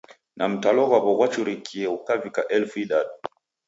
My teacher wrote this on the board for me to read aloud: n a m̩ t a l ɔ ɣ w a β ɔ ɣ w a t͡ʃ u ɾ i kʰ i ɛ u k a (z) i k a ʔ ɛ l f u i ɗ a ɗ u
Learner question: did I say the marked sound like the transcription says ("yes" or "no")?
no